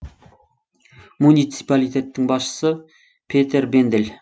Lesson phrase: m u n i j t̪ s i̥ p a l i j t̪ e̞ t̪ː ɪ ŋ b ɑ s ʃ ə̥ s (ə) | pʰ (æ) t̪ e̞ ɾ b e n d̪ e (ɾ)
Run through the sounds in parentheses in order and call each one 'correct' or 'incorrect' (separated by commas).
correct, incorrect, incorrect